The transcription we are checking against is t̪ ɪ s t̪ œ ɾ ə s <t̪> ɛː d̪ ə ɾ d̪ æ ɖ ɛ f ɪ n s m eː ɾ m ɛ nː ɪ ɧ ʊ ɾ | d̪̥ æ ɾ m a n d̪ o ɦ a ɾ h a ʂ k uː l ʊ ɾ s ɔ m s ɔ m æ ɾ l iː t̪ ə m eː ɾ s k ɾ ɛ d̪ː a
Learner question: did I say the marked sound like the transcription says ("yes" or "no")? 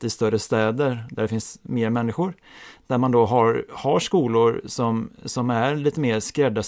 yes